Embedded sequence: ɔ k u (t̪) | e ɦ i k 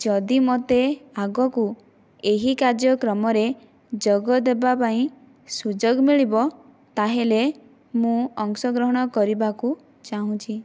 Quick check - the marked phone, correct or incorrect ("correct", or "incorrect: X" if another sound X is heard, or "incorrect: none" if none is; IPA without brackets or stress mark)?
incorrect: none